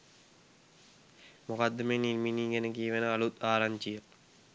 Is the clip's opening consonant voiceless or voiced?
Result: voiced